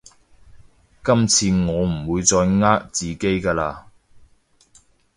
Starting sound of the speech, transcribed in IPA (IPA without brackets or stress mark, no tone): k